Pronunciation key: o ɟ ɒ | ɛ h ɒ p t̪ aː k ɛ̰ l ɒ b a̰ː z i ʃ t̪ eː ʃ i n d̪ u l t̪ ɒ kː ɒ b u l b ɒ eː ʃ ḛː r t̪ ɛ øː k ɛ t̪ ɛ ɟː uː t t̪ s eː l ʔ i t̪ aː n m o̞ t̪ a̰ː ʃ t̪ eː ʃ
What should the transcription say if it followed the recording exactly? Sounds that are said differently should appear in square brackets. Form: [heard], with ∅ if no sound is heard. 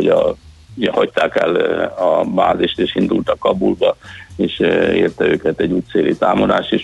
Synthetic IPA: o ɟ ɒ | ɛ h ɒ [c] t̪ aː k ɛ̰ l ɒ b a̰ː z i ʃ t̪ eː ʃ i n d̪ u l t̪ ɒ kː ɒ b u l b ɒ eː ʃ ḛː r t̪ ɛ øː k ɛ t̪ ɛ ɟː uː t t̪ s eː l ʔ i t̪ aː [∅] m o̞ [d̪] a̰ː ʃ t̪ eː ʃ